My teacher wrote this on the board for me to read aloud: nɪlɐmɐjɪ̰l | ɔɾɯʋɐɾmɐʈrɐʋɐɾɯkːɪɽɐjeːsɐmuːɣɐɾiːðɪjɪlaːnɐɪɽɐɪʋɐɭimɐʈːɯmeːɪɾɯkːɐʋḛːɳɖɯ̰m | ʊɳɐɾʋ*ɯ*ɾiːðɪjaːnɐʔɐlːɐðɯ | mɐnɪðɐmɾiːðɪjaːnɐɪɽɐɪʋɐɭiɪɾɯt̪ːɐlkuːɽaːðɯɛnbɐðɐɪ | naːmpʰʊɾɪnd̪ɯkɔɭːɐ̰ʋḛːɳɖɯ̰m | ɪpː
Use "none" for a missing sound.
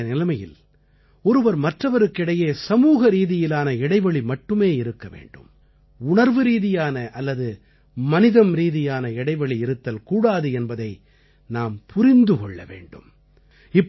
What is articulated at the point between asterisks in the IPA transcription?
ɯ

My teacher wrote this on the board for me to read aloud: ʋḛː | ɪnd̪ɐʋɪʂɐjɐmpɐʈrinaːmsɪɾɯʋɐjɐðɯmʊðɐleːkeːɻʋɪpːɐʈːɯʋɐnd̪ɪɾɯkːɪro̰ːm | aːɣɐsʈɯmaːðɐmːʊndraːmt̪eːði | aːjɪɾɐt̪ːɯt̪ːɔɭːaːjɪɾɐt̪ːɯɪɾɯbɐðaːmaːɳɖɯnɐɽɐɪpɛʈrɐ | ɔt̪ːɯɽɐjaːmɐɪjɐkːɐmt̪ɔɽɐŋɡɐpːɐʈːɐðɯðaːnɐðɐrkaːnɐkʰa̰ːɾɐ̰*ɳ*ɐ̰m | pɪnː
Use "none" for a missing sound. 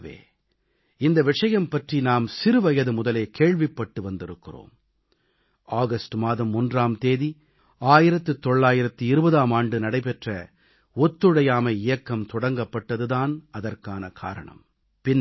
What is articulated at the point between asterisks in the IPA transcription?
ɳ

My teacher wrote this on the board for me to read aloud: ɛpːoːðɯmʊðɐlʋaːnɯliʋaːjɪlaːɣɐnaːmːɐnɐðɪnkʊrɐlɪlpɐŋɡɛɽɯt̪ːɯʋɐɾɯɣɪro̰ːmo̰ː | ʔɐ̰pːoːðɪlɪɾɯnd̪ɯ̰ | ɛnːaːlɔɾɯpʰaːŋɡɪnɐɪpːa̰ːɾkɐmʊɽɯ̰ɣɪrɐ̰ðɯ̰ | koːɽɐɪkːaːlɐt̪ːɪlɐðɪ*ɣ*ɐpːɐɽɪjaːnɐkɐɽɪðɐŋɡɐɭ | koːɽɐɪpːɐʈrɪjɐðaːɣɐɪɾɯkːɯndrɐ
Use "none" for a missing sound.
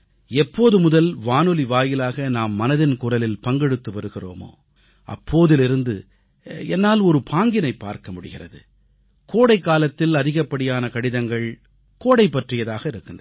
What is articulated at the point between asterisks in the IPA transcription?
ɣ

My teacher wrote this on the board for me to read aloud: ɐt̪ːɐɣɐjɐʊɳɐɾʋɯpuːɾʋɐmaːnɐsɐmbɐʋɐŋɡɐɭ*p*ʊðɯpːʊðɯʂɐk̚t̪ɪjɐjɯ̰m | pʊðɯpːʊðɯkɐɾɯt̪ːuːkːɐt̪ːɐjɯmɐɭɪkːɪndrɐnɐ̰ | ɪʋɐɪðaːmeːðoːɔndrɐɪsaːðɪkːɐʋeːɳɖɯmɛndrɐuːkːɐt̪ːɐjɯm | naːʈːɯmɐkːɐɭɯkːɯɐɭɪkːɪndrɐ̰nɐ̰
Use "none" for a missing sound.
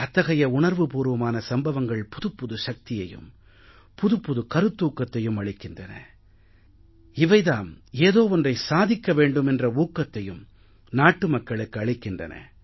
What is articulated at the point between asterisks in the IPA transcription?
p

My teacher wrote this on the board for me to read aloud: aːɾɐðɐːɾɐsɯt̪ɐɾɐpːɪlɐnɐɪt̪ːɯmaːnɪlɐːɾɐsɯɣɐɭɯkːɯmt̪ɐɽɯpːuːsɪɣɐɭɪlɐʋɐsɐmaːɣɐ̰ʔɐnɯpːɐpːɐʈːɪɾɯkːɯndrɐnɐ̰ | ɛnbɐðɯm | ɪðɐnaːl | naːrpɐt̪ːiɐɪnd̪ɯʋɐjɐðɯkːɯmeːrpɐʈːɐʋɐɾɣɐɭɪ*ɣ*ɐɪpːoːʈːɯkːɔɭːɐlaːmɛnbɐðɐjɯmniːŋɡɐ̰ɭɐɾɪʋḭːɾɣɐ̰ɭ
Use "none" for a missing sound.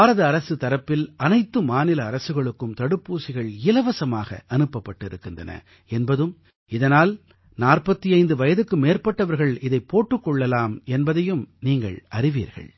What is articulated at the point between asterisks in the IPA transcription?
ð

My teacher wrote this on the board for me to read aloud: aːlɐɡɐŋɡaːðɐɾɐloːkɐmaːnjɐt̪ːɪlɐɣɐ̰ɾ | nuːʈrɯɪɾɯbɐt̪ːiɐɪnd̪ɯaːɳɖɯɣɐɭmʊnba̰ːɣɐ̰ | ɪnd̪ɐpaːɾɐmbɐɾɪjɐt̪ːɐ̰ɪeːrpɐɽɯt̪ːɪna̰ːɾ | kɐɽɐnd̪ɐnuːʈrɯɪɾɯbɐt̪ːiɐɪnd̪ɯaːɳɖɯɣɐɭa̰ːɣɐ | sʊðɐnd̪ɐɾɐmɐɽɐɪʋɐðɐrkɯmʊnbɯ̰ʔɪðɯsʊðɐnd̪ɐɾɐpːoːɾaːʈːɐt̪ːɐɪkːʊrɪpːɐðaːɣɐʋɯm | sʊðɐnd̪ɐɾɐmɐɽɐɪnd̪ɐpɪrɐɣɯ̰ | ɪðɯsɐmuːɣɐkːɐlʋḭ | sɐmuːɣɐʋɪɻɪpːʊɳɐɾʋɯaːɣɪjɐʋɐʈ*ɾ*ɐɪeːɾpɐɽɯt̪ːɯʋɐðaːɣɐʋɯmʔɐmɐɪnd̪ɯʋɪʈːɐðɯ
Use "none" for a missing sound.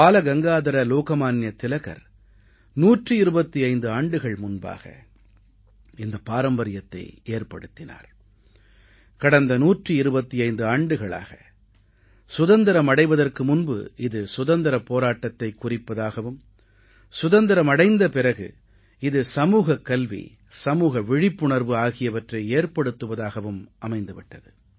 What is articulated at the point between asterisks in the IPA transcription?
r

